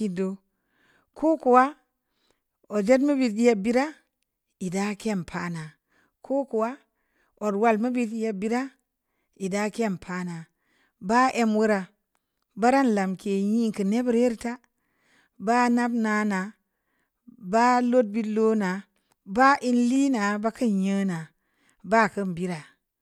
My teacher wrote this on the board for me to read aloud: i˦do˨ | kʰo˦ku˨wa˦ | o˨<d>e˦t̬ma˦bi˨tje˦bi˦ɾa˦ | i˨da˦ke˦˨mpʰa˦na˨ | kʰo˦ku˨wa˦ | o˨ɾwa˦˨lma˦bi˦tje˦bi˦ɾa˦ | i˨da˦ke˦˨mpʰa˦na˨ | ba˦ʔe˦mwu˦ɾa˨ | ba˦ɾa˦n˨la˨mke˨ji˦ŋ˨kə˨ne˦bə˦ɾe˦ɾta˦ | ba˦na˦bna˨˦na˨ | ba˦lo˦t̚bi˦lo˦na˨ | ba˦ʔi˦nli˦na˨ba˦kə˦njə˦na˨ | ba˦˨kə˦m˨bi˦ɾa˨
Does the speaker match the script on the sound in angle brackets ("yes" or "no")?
no